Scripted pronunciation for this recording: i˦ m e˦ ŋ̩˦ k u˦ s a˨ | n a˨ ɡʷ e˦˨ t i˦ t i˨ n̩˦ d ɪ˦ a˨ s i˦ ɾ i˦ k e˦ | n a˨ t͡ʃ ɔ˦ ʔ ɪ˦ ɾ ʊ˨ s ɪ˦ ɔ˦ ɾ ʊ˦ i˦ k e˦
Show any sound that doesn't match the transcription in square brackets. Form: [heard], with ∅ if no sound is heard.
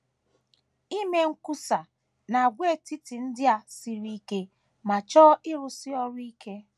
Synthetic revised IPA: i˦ m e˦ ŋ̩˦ k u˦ s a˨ | n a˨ ɡʷ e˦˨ t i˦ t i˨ n̩˦ d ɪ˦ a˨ s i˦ ɾ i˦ k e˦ | [m] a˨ t͡ʃ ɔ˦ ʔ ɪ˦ ɾ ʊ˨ s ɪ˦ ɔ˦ ɾ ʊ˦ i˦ k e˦